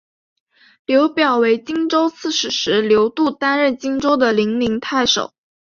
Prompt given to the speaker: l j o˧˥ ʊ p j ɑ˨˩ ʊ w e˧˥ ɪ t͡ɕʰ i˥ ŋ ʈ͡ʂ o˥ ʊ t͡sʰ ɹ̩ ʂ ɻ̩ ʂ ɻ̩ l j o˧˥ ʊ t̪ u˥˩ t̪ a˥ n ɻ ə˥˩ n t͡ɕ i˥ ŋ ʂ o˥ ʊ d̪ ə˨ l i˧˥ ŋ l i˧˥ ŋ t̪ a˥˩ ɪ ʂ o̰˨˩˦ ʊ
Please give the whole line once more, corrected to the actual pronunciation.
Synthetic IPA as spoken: l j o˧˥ ʊ p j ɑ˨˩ ʊ w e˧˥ ɪ t͡ɕ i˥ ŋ ʈ͡ʂ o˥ ʊ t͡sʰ ɹ̩ ʂ ɻ̩ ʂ ɻ̩ l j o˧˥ ʊ t̪ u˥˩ t̪ a˥ n ɻ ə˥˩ n t͡ɕ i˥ ŋ ʈ͡ʂ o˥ ʊ d̪ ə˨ l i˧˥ ŋ l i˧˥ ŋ t̪ʰ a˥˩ ɪ ʂ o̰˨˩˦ ʊ

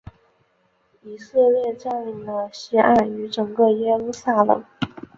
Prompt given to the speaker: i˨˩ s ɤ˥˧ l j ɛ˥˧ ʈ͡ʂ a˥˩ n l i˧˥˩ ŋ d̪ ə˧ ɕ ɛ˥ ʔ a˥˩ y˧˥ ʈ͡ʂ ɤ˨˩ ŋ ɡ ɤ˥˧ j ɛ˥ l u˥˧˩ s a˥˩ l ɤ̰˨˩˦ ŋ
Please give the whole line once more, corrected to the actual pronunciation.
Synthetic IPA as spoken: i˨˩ s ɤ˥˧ l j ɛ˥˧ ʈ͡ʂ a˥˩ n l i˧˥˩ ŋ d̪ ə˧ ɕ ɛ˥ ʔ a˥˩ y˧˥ ʈ͡ʂ ɤ˨˩ ŋ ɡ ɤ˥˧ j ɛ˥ l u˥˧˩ s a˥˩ l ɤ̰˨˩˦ ŋ

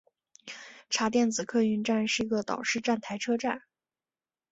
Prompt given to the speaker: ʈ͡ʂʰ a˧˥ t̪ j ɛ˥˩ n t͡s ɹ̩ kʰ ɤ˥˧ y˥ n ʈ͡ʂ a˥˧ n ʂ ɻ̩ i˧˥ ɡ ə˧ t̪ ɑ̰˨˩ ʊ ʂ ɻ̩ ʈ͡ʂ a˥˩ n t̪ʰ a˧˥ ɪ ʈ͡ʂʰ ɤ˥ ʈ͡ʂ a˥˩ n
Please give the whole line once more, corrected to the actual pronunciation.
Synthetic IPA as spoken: ʈ͡ʂʰ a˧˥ t̪ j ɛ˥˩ n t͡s ɹ̩ kʰ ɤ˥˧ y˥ n ʈ͡ʂ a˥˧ n ʂ ɻ̩ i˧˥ ɡ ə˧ t̪ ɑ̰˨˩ ʊ ʂ ɻ̩ ʈ͡ʂ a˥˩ n t̪ʰ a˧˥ ɪ ʈ͡ʂʰ ɤ˥ ʈ͡ʂ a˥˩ n

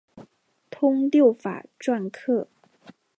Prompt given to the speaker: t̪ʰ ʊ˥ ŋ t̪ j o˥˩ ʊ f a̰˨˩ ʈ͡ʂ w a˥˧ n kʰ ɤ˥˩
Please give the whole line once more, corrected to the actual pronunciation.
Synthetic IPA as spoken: t̪ʰ ʊ˥ ŋ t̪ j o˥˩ ʊ f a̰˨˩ ʈ͡ʂ w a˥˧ n kʰ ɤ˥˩

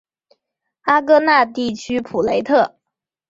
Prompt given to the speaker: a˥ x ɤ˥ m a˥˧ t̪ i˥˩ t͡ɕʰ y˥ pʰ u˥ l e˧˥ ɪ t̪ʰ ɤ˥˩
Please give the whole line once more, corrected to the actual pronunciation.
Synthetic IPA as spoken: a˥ k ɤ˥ n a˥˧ t̪ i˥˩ t͡ɕʰ y˥ pʰ u˨˩ l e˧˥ ɪ t̪ʰ ɤ˥˩

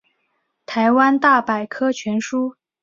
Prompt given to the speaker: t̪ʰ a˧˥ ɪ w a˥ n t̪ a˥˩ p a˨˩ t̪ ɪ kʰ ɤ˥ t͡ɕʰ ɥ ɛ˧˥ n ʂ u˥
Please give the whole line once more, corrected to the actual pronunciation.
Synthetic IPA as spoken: t̪ʰ a˧˥ ɪ w a˥ n t̪ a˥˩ p a˨˩ ɪ kʰ ɤ˥ t͡ɕʰ ɥ ɛ˧˥ n ʂ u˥

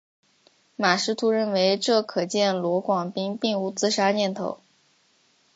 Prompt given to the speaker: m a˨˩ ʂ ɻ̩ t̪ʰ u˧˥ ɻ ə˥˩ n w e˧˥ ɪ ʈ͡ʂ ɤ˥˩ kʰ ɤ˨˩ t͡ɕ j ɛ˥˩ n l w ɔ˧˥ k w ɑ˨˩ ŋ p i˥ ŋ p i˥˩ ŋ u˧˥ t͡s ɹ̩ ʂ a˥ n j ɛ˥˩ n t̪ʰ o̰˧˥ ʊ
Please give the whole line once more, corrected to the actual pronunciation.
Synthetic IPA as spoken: m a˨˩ ʂ ɻ̩ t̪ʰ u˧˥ ɻ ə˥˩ n w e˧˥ ɪ ʈ͡ʂ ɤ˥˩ kʰ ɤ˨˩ t͡ɕ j ɛ˥˩ n l w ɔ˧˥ k w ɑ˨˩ ŋ p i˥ ŋ p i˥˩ ŋ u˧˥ t͡s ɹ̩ ʂ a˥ n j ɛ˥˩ n t̪ʰ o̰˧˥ ʊ

